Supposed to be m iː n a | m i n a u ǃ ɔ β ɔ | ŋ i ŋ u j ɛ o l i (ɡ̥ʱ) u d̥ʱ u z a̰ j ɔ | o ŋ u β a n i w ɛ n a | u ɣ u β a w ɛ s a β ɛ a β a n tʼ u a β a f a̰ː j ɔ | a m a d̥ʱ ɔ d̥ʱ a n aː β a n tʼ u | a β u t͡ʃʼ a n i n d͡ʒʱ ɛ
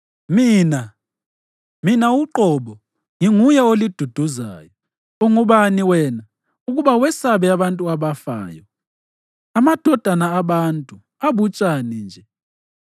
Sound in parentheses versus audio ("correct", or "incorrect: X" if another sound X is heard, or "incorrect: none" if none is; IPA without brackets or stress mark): incorrect: d̥ʱ